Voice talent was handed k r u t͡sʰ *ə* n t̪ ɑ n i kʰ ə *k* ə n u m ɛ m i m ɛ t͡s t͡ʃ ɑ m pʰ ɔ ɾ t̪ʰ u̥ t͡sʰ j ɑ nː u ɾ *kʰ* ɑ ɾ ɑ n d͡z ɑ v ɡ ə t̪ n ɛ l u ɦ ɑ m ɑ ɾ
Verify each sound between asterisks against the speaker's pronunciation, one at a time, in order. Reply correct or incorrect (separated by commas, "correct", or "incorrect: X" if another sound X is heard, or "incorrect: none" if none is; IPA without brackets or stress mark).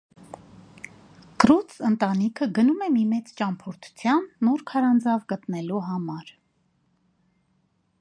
correct, incorrect: ɡ, correct